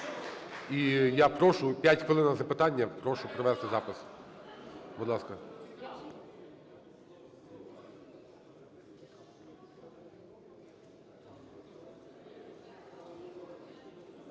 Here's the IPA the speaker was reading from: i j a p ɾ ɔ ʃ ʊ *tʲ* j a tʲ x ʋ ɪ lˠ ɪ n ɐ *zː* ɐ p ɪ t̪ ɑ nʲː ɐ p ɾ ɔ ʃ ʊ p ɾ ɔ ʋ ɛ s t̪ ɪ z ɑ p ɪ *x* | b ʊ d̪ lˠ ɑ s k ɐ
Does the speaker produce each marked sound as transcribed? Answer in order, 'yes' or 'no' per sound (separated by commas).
no, no, no